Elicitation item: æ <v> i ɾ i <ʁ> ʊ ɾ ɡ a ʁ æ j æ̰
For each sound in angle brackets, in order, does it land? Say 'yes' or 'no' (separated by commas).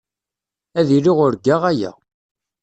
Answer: no, yes